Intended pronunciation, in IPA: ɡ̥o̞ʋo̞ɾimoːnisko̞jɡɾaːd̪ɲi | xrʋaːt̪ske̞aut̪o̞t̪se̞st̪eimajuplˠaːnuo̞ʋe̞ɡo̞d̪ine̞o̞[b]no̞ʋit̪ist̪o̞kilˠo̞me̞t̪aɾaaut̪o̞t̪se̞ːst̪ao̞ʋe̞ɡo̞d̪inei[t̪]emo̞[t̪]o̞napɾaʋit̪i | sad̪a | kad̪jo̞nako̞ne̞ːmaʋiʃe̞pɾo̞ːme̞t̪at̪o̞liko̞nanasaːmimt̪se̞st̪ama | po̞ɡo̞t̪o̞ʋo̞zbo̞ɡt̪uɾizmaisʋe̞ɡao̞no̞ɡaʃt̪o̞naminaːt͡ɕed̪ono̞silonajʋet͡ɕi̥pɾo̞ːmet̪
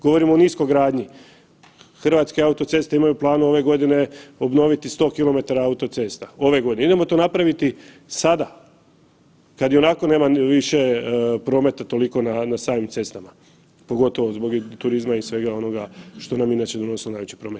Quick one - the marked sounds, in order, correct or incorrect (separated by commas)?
correct, incorrect, correct